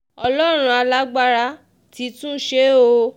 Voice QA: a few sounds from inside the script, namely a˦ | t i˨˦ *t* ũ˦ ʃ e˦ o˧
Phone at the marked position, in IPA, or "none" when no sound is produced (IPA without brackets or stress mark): t